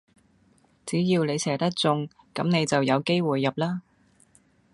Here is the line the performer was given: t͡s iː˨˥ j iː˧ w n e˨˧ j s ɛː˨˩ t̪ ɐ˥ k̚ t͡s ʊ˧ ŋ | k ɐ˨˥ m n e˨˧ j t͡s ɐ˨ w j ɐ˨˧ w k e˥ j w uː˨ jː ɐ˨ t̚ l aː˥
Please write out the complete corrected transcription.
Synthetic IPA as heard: t͡s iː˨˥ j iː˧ w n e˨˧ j s ɛː˨˩ t̪ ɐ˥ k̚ t͡s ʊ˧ ŋ | k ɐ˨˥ m n e˨˧ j t͡s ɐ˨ w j ɐ˨˧ w k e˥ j w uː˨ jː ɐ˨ p̚ l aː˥